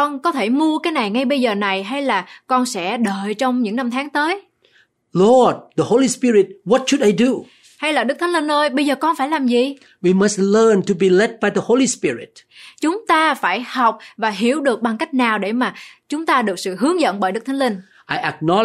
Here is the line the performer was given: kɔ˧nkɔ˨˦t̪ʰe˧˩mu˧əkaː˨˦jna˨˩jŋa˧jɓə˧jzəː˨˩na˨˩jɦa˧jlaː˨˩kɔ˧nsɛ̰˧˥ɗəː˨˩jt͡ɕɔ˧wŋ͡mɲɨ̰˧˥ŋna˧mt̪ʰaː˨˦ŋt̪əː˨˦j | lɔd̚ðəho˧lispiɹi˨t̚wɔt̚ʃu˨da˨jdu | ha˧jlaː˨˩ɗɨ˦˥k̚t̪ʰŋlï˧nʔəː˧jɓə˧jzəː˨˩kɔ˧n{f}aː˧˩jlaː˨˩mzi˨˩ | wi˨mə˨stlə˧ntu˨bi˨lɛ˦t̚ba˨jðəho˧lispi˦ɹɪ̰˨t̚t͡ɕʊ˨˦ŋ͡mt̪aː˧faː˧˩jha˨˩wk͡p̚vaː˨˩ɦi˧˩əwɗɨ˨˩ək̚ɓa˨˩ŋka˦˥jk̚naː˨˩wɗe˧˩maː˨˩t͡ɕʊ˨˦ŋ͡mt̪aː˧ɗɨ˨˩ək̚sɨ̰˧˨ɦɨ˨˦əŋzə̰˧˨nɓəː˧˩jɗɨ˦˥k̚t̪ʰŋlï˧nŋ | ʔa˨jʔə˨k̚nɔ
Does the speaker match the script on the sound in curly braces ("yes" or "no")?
yes